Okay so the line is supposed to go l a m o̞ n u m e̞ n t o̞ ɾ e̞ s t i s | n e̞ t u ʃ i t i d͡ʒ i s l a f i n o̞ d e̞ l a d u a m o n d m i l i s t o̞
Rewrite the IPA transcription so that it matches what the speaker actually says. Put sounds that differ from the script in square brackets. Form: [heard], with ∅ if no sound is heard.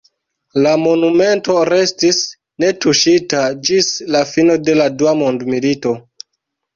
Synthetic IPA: l a m o̞ n u m e̞ n t o̞ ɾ e̞ s t i s | n e̞ t u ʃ i t [a] d͡ʒ i s l a f i n o̞ d e̞ l a d u a m o n d m i l i [∅] t o̞